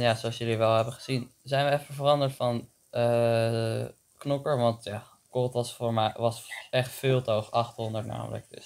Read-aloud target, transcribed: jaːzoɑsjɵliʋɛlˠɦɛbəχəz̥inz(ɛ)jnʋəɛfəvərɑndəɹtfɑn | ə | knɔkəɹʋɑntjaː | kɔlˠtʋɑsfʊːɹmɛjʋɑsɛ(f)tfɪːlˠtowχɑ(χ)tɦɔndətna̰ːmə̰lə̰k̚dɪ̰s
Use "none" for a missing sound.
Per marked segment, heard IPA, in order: ɛ, χ, χ

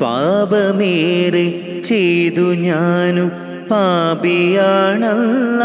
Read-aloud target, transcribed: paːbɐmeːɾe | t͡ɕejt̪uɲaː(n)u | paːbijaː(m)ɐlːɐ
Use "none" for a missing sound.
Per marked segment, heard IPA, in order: n, ɳ

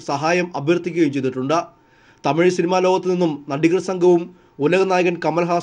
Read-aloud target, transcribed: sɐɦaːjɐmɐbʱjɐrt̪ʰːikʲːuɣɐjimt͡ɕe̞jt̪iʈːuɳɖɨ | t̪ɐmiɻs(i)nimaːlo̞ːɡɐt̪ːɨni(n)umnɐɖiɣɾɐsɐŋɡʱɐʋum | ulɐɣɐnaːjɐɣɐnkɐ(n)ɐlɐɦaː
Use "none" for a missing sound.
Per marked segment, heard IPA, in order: i, nː, m

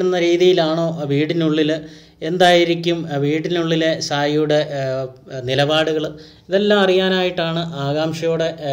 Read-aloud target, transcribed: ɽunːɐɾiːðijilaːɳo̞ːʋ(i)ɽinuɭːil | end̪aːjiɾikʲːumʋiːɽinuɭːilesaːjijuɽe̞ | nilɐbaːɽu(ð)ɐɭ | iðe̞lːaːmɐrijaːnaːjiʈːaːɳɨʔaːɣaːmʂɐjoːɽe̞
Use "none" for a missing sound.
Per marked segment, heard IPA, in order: iː, ɣ

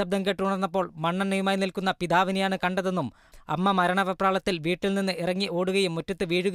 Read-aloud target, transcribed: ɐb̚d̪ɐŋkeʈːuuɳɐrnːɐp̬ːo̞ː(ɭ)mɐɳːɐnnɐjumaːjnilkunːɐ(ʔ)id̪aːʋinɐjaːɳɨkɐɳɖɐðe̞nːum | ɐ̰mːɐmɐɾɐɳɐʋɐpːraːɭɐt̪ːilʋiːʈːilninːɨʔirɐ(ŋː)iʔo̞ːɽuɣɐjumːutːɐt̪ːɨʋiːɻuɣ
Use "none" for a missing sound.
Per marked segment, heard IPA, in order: ɭ, p, ŋː

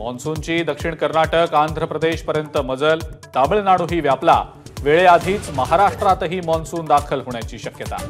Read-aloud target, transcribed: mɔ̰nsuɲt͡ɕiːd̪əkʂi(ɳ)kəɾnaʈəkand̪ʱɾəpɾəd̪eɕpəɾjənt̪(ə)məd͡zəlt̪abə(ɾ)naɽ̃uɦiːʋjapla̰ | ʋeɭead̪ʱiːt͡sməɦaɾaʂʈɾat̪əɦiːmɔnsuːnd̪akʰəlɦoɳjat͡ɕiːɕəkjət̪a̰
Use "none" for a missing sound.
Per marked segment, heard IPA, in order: ɳ, ə, ɭ

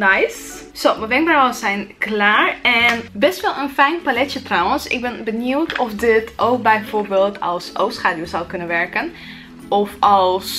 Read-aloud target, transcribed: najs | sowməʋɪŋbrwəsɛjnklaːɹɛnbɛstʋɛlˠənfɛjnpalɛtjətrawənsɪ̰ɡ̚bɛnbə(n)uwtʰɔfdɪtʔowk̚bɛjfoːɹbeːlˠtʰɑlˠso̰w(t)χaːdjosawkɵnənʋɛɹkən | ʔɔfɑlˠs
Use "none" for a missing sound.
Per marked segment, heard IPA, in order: n, s

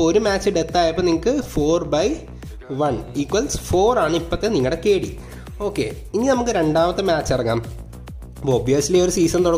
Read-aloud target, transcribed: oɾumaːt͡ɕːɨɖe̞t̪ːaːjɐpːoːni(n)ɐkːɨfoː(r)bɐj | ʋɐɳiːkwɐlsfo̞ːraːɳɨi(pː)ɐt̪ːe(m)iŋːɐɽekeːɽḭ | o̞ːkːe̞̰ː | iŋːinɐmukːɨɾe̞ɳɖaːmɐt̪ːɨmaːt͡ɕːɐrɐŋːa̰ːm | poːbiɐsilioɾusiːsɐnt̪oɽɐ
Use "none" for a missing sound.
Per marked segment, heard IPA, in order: ŋ, r, pː, n

